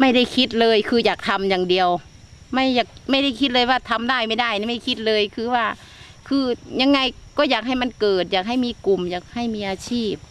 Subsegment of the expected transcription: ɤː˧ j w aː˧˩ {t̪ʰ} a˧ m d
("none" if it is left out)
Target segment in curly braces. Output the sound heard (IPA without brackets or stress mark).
t̪ʰ